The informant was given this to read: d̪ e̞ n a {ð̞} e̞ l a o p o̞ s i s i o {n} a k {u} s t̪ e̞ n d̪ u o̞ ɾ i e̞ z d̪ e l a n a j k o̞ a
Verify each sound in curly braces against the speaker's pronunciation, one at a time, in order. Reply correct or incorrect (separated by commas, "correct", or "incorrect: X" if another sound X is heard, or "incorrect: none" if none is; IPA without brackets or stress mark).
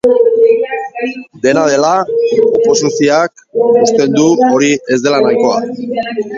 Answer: correct, incorrect: none, correct